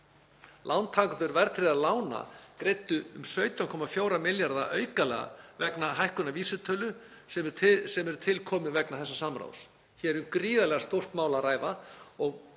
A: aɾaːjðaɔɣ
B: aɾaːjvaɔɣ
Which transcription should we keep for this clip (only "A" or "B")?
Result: B